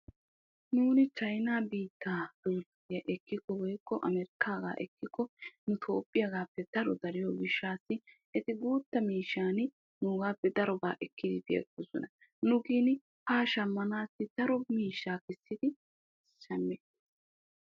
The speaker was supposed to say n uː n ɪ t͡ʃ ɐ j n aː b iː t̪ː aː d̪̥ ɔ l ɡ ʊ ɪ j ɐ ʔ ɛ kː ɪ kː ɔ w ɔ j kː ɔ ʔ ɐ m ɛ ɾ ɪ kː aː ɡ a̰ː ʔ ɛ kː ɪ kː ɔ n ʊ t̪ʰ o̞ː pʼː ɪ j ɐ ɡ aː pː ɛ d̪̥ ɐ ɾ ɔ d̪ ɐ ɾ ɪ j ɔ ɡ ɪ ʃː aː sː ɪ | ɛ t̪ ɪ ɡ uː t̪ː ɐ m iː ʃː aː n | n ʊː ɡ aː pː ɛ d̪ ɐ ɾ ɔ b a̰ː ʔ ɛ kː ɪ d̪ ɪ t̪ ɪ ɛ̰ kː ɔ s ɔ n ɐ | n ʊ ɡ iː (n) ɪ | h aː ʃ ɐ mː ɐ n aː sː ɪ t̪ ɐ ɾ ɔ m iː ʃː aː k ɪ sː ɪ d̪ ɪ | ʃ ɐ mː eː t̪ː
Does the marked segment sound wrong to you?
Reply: no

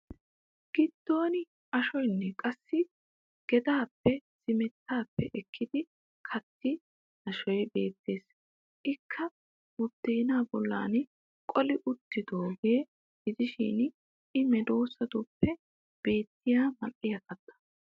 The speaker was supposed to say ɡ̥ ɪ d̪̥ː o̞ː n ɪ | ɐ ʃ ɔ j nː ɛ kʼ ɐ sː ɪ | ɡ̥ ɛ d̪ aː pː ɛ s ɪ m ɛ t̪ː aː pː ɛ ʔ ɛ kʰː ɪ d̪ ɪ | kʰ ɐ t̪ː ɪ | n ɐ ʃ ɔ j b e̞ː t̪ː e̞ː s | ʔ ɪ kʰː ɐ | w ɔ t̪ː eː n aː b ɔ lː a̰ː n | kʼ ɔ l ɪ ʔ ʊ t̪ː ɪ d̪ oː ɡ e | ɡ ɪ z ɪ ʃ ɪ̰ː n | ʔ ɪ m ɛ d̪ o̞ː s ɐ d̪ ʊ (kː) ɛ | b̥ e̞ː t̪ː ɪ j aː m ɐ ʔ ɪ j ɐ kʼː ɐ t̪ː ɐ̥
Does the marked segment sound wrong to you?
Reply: yes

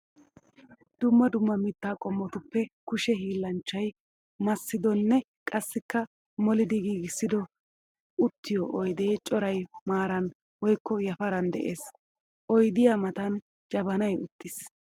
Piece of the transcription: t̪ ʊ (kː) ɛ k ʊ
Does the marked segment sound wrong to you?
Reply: yes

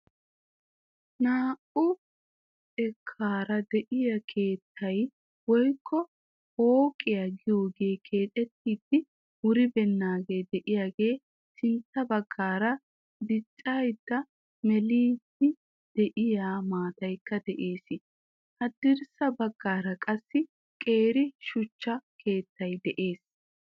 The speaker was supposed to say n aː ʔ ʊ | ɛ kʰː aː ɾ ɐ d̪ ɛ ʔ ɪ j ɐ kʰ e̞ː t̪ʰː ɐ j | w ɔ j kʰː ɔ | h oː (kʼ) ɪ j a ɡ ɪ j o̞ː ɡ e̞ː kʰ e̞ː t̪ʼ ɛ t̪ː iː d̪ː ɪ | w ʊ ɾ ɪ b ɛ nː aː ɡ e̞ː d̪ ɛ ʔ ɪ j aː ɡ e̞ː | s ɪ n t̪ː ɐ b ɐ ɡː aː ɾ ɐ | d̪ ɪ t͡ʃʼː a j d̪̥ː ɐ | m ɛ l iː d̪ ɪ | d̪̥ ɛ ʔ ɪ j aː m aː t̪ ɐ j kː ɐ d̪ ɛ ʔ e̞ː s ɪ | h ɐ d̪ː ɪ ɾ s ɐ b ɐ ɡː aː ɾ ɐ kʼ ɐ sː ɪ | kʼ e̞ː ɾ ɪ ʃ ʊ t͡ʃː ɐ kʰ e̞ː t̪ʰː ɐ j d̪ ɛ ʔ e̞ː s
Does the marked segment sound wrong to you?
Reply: no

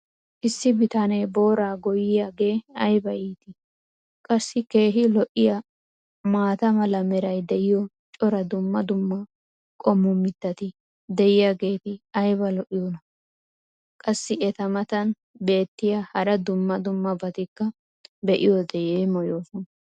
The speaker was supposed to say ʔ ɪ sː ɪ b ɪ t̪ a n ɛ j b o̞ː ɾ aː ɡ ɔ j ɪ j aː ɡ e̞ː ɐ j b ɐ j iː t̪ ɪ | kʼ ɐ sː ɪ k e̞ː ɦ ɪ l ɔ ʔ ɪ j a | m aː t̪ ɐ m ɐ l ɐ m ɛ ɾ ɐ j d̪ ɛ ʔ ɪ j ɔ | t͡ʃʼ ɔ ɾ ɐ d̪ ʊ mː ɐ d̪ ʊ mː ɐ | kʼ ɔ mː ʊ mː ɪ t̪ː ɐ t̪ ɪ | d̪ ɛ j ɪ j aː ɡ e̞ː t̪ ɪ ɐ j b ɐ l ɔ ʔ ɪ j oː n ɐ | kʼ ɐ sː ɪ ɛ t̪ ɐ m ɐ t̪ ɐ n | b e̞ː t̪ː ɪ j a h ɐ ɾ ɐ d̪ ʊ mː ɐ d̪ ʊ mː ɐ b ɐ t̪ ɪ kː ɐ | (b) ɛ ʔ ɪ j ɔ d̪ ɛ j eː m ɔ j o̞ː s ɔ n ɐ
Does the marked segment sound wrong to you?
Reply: no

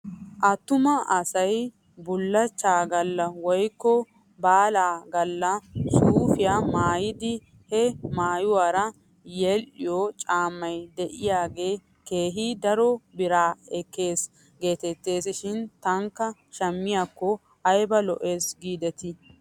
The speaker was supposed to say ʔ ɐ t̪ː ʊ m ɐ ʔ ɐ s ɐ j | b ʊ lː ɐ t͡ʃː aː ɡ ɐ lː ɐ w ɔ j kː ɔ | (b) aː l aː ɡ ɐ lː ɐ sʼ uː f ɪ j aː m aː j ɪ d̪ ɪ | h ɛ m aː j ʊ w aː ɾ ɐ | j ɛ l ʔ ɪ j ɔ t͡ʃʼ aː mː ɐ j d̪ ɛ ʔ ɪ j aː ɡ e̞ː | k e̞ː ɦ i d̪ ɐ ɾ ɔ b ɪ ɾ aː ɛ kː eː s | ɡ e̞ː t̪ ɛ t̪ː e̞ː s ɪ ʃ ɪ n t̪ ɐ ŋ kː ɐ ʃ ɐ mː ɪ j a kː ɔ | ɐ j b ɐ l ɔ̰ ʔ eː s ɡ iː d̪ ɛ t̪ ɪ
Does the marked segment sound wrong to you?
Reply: no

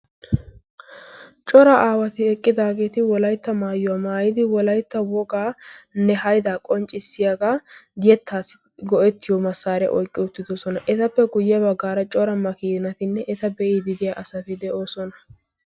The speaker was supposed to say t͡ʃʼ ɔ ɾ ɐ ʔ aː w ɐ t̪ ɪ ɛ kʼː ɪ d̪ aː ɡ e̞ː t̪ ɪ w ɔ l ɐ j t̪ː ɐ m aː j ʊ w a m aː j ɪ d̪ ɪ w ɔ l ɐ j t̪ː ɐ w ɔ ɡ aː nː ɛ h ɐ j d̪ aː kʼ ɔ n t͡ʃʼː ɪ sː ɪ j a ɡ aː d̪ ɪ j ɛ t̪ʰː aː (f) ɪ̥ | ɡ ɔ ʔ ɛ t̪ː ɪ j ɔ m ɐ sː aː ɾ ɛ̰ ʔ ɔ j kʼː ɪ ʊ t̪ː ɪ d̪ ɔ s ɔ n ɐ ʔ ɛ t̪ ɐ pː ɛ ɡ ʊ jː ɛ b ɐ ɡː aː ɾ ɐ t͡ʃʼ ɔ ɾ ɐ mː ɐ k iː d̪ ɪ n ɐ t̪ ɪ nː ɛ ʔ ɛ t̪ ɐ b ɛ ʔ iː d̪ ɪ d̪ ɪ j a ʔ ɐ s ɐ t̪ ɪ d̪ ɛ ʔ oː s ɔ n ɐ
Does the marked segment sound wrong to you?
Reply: yes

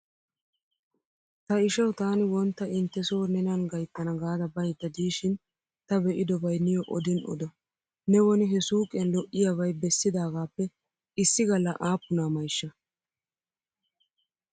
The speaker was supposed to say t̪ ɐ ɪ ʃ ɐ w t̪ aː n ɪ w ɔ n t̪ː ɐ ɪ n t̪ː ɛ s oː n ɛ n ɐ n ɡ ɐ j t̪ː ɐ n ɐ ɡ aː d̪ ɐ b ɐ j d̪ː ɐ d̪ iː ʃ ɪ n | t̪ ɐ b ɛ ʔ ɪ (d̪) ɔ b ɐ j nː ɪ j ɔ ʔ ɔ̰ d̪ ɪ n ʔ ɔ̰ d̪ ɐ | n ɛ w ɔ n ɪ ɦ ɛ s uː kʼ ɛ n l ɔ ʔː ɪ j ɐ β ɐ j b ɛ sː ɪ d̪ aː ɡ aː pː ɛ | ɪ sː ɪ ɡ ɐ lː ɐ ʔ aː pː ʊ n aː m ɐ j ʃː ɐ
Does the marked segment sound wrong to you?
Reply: no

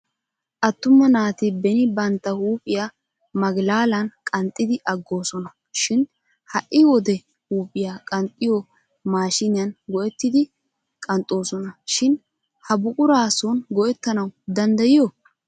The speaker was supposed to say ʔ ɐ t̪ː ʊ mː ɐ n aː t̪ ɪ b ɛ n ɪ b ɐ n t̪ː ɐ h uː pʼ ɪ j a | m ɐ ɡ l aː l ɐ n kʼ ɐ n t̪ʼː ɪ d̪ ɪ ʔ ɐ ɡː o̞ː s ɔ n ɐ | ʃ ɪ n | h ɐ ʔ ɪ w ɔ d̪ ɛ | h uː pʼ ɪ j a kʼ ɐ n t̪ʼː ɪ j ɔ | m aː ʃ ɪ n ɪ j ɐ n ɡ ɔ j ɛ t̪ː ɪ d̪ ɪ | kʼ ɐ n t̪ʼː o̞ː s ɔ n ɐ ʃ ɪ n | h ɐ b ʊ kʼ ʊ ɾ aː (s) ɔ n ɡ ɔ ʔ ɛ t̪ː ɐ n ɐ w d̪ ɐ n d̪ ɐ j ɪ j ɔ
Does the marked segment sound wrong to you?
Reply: no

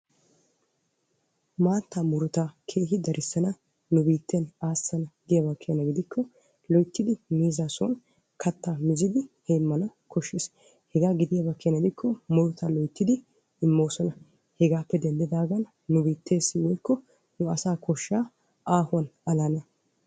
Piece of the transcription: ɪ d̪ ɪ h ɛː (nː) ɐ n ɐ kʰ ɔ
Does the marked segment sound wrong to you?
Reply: yes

